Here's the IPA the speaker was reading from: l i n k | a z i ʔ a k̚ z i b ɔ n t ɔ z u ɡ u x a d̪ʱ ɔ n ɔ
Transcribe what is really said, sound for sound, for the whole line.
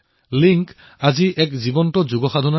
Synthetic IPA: l i ŋ k | a z i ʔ ɛ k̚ z i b ɔ n t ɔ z u ɡ ɔ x a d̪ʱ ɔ n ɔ